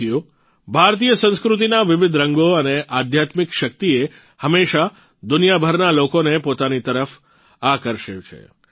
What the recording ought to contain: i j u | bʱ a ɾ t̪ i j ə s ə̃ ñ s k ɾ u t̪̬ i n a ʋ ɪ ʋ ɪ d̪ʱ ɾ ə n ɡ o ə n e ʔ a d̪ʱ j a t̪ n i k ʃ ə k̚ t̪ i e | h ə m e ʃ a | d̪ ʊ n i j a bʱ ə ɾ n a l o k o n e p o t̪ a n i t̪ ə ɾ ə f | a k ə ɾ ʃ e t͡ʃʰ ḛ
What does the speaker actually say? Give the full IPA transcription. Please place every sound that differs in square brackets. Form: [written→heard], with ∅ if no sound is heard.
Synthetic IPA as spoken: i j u | bʱ a ɾ t̪ i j ə s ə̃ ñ s k ɾ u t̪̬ i n a ʋ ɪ ʋ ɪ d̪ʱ ɾ ə [n→ŋ] ɡ o ə n e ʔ a d̪ʱ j a t̪ [n→m] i k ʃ ə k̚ t̪ i e | h ə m e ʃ a | d̪ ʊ n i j a bʱ ə ɾ n a l o k o n e p o t̪ a n i t̪ ə ɾ ə f | a k ə ɾ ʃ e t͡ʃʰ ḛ